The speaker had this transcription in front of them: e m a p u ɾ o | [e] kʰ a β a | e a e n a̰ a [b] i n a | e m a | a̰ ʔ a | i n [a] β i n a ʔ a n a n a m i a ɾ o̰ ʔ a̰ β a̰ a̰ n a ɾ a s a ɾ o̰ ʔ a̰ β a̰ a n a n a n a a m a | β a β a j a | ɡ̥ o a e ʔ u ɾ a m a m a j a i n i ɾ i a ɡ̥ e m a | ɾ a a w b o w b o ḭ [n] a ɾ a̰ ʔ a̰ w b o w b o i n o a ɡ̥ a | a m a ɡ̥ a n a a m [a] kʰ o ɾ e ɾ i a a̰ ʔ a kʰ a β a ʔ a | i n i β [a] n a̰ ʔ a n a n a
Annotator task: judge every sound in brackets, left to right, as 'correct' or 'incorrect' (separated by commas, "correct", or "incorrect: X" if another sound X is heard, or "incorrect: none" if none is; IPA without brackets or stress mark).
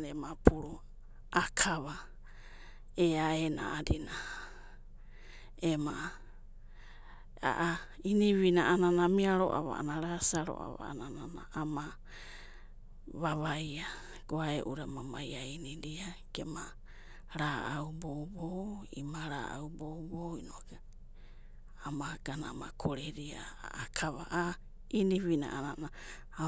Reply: incorrect: a, incorrect: d, incorrect: i, incorrect: m, correct, incorrect: i